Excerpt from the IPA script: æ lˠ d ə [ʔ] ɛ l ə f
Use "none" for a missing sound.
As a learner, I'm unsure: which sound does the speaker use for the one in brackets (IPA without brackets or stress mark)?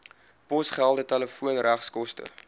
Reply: t